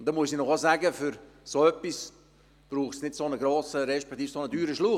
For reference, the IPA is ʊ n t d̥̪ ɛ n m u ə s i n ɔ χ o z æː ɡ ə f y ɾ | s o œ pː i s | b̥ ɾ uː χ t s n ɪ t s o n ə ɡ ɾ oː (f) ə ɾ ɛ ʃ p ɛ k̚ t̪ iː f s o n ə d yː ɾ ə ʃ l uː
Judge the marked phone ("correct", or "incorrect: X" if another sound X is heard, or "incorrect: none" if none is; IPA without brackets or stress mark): incorrect: s